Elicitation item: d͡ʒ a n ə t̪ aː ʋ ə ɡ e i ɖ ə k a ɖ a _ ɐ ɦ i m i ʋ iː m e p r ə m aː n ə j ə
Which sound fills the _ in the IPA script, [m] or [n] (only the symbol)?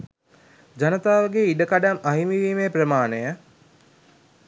m